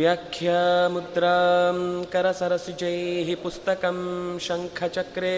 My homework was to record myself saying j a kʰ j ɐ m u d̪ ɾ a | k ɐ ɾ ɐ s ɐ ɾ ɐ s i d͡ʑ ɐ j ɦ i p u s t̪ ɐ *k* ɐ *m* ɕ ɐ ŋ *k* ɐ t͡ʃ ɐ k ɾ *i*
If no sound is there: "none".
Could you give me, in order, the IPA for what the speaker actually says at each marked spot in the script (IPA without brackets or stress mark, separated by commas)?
k, m, kʰ, e